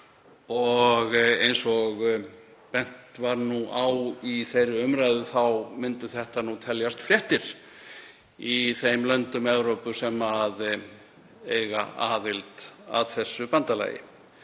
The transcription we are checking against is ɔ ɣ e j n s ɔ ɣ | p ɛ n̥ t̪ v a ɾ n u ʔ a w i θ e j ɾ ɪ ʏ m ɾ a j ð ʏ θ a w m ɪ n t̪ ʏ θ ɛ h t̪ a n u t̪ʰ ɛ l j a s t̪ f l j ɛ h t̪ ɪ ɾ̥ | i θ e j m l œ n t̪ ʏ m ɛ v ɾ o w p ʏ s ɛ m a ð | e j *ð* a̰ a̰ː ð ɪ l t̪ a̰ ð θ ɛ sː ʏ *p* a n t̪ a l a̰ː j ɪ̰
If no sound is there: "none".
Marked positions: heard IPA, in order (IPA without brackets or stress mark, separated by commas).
ɣ, p